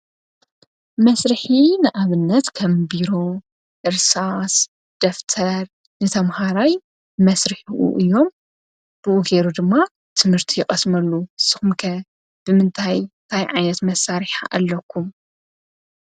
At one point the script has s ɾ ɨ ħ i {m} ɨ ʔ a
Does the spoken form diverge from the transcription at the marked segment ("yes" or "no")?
yes